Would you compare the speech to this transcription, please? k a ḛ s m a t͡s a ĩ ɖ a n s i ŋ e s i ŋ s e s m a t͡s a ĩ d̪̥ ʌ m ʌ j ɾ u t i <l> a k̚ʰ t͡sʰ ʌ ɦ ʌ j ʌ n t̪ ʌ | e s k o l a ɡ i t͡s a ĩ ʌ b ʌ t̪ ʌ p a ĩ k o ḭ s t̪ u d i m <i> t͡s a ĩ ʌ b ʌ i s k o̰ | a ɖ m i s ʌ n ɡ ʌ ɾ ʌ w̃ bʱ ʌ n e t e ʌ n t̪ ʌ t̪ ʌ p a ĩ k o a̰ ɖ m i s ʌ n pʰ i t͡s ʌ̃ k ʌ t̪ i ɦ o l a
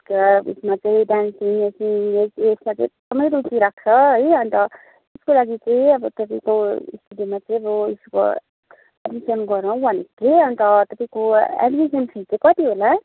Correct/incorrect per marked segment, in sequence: incorrect: ɾ, incorrect: a

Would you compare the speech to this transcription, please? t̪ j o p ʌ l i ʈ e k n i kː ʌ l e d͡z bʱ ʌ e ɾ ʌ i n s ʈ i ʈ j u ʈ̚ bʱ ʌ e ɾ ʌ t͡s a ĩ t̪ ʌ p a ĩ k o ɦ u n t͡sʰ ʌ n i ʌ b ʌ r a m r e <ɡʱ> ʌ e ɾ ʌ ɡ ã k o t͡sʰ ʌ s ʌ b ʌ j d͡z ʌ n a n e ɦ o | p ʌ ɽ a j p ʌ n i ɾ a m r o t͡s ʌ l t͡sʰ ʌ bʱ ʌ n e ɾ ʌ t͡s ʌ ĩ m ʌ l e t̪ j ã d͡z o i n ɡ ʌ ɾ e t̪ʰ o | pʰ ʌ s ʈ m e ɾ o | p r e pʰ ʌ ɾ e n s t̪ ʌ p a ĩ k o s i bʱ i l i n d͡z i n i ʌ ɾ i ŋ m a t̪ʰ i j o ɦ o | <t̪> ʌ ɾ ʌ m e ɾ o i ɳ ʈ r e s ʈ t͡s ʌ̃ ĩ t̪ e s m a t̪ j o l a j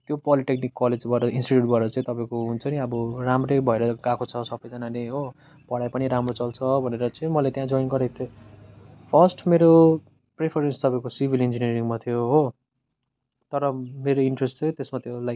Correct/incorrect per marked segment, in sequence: incorrect: bʱ, correct

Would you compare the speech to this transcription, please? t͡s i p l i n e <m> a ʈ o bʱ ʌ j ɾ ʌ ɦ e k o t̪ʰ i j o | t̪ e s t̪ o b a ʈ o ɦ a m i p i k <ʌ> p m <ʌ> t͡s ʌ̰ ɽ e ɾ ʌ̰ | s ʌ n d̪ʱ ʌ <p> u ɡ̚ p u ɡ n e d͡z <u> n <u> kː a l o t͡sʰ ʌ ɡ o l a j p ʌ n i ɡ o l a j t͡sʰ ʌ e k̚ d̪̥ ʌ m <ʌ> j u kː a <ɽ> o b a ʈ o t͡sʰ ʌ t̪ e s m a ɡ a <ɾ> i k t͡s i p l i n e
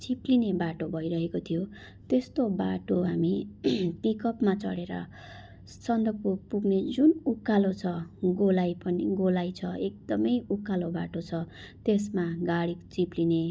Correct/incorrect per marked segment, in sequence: incorrect: b, correct, incorrect: a, correct, correct, correct, correct, incorrect: l, incorrect: ɽ

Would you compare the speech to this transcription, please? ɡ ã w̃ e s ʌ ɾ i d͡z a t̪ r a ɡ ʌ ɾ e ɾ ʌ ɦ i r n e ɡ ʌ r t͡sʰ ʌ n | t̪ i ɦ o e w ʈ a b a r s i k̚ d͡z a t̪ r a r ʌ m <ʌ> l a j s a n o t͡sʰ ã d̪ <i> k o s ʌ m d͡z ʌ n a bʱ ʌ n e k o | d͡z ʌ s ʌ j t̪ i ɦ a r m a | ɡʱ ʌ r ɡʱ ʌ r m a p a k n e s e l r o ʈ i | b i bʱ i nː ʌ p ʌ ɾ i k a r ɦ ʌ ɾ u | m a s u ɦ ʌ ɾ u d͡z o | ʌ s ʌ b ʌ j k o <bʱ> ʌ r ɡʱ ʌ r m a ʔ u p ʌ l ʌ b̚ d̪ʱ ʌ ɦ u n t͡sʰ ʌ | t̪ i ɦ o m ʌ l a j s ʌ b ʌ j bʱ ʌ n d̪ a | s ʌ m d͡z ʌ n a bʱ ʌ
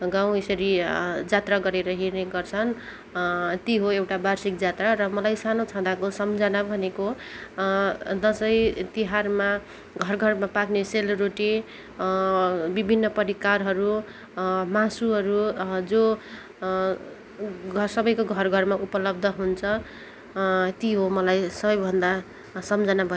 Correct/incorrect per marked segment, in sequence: correct, incorrect: a, incorrect: ɡʱ

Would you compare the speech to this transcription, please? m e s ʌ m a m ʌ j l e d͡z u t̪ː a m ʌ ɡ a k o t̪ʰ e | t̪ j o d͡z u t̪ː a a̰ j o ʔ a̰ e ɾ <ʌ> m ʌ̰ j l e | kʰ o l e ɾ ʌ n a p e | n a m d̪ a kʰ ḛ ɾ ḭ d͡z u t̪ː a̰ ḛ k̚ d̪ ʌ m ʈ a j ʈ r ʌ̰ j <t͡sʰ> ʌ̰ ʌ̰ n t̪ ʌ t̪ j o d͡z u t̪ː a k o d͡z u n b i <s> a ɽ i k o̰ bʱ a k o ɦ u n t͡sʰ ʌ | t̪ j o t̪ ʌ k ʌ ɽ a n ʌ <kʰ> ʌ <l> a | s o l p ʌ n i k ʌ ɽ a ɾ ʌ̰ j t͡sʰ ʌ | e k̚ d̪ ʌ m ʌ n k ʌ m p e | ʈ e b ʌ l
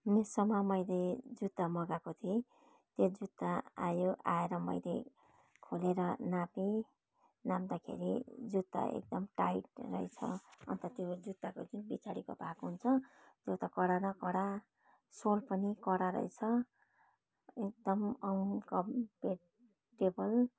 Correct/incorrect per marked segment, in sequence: correct, correct, incorrect: t͡s, incorrect: k, incorrect: ɽ

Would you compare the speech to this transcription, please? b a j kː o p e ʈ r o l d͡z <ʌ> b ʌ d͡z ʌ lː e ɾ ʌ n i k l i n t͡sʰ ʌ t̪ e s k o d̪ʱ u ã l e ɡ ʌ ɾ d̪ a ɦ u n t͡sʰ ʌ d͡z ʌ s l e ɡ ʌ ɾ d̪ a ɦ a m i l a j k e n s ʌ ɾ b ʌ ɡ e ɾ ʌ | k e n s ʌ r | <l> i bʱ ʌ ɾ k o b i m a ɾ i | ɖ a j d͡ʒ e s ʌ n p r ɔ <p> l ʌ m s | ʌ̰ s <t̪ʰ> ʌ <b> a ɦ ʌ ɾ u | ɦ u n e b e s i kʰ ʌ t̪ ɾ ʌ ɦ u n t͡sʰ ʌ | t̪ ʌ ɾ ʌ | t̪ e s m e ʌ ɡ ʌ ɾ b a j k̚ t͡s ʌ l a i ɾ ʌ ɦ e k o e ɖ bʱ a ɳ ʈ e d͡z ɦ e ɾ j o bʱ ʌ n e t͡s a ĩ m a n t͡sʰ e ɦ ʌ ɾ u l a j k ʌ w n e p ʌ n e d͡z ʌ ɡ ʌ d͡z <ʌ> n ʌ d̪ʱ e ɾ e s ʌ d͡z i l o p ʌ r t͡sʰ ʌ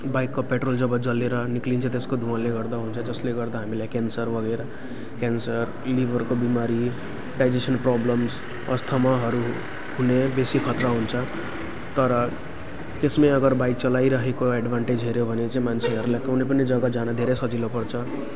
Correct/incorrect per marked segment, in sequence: correct, correct, incorrect: b, correct, incorrect: m, incorrect: a

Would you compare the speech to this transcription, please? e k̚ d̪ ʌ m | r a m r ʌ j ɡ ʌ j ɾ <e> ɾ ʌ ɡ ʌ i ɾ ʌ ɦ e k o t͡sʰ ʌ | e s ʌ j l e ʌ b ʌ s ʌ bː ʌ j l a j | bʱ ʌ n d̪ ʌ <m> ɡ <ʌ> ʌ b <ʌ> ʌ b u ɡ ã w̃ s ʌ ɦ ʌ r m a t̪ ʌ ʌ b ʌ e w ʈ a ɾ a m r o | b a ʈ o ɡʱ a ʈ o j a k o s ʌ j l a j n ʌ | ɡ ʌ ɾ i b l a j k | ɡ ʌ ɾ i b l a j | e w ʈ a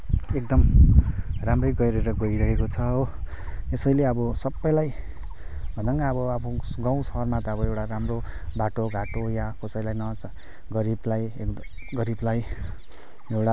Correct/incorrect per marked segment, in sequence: correct, incorrect: ŋ, incorrect: a, correct

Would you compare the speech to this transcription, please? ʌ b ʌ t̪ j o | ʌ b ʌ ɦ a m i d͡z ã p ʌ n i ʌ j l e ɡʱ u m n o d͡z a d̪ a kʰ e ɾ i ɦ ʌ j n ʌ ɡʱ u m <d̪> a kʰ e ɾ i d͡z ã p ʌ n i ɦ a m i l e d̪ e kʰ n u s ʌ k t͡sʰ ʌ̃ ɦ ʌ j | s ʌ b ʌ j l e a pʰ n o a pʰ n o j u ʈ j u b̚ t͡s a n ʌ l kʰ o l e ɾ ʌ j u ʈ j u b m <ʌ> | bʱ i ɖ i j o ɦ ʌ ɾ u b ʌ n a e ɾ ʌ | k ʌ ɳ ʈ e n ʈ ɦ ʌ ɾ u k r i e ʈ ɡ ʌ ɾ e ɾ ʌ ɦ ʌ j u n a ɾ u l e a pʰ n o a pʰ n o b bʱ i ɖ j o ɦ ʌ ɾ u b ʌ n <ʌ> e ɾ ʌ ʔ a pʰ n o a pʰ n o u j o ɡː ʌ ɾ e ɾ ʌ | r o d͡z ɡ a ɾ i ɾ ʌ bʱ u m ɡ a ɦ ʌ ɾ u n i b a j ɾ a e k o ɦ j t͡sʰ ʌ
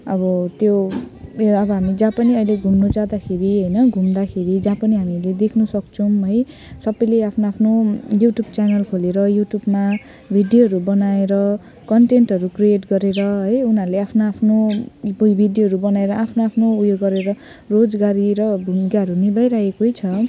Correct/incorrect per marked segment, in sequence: correct, incorrect: a, incorrect: a

